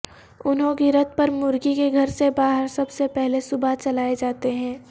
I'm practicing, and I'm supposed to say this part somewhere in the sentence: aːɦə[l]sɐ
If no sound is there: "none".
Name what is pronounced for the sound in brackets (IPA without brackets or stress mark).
ɾ